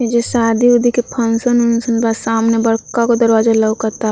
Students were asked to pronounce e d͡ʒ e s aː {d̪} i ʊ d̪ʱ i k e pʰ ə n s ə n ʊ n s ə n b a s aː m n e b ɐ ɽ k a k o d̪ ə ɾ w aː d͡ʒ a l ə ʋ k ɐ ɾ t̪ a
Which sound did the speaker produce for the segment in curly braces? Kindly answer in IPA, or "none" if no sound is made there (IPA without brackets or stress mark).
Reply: d̪